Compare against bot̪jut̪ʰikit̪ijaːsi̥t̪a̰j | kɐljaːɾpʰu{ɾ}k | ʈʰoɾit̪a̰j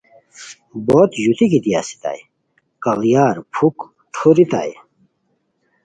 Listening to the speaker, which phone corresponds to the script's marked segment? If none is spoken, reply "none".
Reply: none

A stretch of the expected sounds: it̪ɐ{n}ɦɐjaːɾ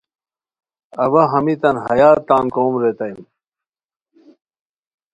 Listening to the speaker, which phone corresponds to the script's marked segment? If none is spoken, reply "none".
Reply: n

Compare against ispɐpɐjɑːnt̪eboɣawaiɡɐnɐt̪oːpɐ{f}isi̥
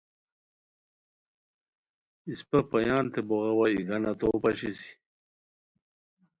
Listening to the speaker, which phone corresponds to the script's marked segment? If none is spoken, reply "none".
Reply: ɕ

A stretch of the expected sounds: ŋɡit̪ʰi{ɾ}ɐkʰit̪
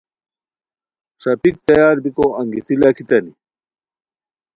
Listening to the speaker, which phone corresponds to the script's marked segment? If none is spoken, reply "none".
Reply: l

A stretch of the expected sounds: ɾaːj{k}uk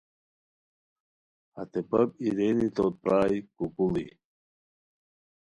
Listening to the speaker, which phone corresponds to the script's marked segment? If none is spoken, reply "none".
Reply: k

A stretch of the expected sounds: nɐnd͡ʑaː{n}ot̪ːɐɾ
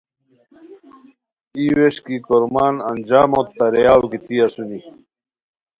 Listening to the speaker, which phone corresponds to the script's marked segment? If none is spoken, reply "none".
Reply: m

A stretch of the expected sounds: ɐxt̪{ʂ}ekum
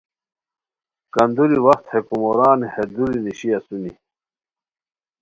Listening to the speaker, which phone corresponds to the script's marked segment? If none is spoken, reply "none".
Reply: h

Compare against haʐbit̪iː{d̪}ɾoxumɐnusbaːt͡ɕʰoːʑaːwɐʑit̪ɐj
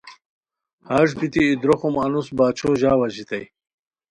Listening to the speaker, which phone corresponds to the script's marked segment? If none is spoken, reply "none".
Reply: d̪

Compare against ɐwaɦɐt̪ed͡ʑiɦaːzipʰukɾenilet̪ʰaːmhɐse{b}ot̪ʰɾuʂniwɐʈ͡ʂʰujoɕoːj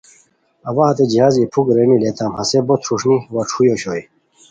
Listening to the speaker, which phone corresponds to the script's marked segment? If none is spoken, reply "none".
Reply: b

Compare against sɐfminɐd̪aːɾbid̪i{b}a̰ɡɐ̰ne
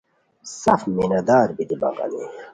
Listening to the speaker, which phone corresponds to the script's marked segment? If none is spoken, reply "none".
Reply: b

